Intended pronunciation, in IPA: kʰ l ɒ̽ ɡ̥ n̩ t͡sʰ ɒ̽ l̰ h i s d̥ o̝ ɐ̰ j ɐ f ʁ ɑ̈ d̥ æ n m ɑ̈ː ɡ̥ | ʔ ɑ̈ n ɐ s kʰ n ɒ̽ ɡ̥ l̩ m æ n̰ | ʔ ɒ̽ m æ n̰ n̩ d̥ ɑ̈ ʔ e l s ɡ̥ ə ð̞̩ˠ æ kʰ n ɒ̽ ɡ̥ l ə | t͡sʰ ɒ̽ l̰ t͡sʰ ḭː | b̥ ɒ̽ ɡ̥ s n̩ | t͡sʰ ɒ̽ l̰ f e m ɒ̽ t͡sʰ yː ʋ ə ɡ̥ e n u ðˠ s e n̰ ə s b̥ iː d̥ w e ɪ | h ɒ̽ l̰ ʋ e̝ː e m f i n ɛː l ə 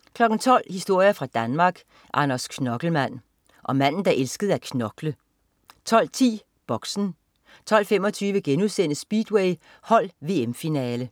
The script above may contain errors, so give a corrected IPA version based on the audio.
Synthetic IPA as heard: kʰ l ɒ̽ ɡ̥ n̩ t͡sʰ ɒ̽ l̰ h i s d̥ o̝ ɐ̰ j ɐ f ʁ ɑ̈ d̥ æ n m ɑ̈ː ɡ̥ | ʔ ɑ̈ n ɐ s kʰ n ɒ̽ ɡ̥ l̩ m æ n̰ | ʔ ɒ̽ m æ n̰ n̩ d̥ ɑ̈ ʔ e l s ɡ̥ ə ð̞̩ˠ æ kʰ n ɒ̽ ɡ̥ l ə | t͡sʰ ɒ̽ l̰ t͡sʰ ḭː | b̥ ɒ̽ ɡ̥ s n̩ | t͡sʰ ɒ̽ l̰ f e m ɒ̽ t͡sʰ yː ʋ ə ɡ̥ e n u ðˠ s e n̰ ə s b̥ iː d̥ w e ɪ | h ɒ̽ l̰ ʋ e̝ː e m f i n ɛː l ə